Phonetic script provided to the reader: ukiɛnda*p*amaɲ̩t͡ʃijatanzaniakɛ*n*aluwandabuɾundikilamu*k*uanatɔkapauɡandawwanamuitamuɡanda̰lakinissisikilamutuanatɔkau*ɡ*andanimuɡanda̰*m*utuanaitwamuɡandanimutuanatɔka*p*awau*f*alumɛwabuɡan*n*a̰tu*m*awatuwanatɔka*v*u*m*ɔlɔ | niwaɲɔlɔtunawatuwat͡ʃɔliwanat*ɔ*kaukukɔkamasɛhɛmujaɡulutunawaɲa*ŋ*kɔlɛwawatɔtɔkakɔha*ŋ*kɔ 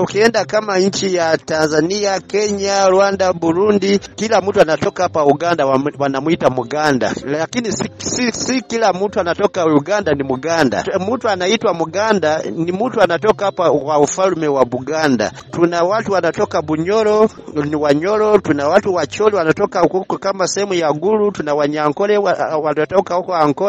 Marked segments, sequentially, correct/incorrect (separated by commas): incorrect, incorrect, incorrect, correct, correct, correct, correct, incorrect, incorrect, incorrect, incorrect, correct, correct, correct